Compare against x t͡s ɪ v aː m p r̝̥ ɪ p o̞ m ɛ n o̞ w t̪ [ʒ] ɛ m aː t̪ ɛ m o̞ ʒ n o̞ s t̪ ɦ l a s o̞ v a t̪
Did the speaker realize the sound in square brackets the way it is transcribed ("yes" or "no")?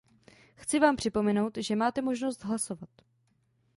yes